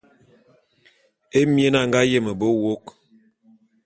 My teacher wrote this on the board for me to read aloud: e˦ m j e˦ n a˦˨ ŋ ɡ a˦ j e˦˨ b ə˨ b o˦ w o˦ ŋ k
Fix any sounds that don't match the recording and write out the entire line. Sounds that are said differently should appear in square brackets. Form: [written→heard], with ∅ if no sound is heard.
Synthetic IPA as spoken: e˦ m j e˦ n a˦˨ ŋ ɡ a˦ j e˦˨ [b→m] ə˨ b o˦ w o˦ [ŋ→∅] k